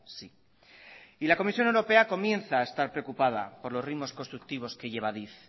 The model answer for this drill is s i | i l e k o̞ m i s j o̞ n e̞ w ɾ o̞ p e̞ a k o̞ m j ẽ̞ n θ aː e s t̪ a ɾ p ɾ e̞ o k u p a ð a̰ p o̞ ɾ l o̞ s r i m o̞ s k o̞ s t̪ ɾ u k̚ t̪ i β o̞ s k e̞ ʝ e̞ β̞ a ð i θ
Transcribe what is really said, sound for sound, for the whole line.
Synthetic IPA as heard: s i | i l a k o̞ m i s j o̞ n e̞ w ɾ o̞ p e̞ a k o̞ m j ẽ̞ n θ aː e s t̪ a ɾ p ɾ e̞ o k u p a ð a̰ p o̞ ɾ l o̞ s r i m o̞ s k o̞ s t̪ ɾ u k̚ t̪ i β o̞ s k e̞ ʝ e̞ β̞ a ð i θ